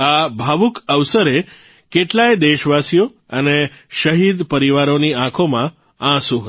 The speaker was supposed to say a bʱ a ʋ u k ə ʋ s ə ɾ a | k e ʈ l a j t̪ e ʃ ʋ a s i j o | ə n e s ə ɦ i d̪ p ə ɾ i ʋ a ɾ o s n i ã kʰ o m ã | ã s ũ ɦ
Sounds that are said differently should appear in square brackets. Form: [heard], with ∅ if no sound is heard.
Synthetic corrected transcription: a bʱ a ʋ u k ə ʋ s ə ɾ [e] | k e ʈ l a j [d̪] e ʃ ʋ a s i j o | ə n e [ʃ] ə ɦ i d̪ p ə ɾ i ʋ a ɾ o [∅] n i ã kʰ o m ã | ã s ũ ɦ

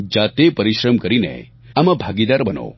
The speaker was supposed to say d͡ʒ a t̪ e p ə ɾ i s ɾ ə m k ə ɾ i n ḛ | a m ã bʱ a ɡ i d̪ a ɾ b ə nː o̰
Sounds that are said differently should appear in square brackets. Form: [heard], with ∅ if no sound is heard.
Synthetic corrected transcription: d͡ʒ a t̪ e p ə ɾ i [ʃ] ɾ ə m k ə ɾ i n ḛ | a m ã bʱ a ɡ i d̪ a ɾ b ə [n] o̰

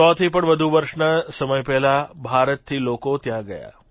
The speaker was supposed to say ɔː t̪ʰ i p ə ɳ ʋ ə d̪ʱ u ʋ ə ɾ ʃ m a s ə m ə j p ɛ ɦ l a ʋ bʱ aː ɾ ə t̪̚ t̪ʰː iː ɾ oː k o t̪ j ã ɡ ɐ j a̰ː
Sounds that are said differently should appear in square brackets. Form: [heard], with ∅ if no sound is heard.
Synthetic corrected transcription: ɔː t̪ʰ i p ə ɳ ʋ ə d̪ʱ u ʋ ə ɾ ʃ [n] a s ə m ə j p ɛ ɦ l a [∅] bʱ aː ɾ ə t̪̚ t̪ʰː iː [l] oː k o t̪ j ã ɡ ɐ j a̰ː

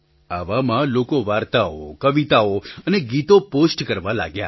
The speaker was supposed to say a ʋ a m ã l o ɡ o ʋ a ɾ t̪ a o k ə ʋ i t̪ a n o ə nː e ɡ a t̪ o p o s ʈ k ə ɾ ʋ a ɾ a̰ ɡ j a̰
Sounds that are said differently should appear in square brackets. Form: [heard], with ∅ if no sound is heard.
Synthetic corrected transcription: a ʋ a m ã l o [k] o ʋ a ɾ t̪ a o k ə ʋ i t̪ a [∅] o ə [n] e ɡ [i] t̪ o p o s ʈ k ə ɾ ʋ a [l] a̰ ɡ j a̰

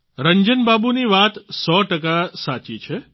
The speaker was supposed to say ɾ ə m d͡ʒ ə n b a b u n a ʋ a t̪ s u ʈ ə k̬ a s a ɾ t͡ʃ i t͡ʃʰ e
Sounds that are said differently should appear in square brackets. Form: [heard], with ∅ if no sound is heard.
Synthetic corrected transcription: ɾ ə [ɲ] d͡ʒ ə n b a b u n [i] ʋ a t̪ s [ɔ] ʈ ə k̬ a s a [∅] t͡ʃ i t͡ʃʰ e

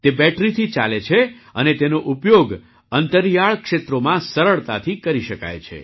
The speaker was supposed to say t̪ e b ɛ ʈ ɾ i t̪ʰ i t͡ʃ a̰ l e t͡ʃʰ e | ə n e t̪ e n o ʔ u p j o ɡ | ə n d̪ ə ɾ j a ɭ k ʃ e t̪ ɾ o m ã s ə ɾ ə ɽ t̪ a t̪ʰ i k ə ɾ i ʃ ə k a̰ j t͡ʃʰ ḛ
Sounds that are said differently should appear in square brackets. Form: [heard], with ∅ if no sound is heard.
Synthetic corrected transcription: t̪ e b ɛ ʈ ɾ i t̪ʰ i t͡ʃ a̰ l e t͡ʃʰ e | ə n e t̪ e n o ʔ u p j o ɡ | ə n [t̪] ə ɾ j a ɭ k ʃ e t̪ ɾ o m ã s ə ɾ ə [ɭ] t̪ a t̪ʰ i k ə ɾ i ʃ ə k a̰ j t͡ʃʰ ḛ

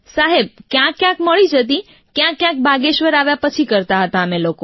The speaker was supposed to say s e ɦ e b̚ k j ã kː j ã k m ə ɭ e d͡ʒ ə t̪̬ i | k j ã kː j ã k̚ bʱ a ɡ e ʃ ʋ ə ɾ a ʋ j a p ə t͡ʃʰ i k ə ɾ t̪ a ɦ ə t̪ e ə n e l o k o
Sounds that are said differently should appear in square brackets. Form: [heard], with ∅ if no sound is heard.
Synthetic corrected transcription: s [a] ɦ e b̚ k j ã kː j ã k m ə ɭ [i] d͡ʒ ə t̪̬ i | k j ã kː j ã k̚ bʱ a ɡ e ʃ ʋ ə ɾ a ʋ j a p ə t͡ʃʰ i k ə ɾ t̪ a ɦ ə t̪ [a] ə [m] e l o k o

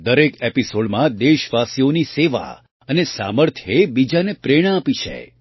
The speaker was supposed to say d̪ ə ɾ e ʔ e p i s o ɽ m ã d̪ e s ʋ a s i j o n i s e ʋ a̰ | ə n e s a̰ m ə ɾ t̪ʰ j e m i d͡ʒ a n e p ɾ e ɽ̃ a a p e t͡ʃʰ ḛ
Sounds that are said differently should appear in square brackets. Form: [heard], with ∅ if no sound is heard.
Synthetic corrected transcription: d̪ ə ɾ e [k] e p i s o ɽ m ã d̪ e [ʃ] ʋ a s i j o n i s e ʋ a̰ | ə n e s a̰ m ə ɾ t̪ʰ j e [b] i d͡ʒ a n e p ɾ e ɽ̃ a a p [i] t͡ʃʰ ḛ

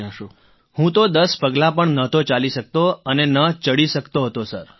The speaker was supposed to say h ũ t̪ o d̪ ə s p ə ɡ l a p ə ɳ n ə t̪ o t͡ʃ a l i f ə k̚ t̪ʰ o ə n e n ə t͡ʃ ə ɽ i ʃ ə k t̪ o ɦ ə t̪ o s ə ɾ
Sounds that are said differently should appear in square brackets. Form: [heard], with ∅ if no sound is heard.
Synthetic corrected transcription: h ũ t̪ o d̪ ə s p ə ɡ l a p ə ɳ n ə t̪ o t͡ʃ a l i [ʃ] ə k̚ [t̪] o ə n e n ə t͡ʃ ə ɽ i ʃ ə k t̪ o ɦ ə t̪ o s ə ɾ

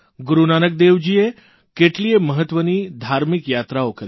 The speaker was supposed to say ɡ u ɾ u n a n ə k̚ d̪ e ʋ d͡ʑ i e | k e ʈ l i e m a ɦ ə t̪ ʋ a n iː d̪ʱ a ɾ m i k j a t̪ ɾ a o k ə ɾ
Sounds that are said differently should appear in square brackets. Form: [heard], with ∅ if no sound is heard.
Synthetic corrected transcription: ɡ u ɾ u n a n ə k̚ d̪ e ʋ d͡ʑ i e | k e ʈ l i e m [ə] ɦ ə t̪ ʋ [ə] n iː d̪ʱ a ɾ m i k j a t̪ ɾ a o k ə ɾ

